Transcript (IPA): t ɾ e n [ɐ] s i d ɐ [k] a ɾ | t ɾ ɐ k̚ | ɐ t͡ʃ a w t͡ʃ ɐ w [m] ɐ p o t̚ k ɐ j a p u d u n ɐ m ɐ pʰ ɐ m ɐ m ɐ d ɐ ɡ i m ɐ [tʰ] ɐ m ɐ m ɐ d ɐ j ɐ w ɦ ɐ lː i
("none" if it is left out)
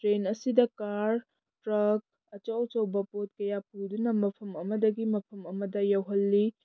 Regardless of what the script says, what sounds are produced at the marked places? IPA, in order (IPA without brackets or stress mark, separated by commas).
ɐ, k, b, pʰ